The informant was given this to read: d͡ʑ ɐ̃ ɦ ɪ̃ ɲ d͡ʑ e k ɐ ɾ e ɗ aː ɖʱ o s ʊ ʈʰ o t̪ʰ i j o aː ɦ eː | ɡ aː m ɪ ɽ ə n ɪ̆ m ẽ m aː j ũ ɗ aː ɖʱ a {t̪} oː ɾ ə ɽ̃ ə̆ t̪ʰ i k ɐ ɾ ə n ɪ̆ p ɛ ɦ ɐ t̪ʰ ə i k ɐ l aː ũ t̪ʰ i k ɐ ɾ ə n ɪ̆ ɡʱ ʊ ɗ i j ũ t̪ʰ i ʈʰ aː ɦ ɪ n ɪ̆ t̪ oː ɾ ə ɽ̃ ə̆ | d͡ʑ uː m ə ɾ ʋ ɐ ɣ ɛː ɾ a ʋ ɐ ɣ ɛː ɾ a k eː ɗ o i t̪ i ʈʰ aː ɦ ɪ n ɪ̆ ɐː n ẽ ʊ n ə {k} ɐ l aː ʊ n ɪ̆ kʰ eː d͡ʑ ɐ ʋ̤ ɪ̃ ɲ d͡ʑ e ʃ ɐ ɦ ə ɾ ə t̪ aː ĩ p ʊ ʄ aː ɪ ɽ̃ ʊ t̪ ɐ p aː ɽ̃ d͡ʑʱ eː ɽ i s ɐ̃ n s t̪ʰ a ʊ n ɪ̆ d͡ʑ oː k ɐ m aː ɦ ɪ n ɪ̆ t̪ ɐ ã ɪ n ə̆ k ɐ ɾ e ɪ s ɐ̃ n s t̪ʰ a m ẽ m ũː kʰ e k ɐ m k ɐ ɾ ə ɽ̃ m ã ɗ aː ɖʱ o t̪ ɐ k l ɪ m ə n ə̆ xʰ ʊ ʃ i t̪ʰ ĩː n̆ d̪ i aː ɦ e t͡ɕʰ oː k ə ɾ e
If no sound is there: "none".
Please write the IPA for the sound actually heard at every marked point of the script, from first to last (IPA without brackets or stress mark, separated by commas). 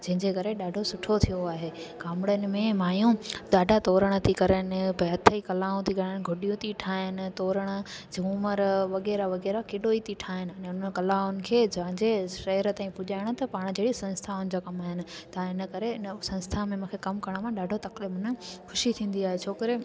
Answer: t̪, k